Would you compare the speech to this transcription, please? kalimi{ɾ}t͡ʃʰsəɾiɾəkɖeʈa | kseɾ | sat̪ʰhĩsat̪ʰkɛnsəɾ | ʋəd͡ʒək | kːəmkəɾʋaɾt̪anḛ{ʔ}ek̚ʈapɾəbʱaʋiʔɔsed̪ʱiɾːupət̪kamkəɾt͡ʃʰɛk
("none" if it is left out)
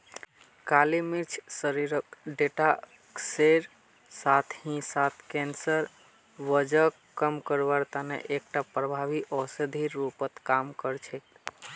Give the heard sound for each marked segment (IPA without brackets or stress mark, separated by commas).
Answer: ɾ, ʔ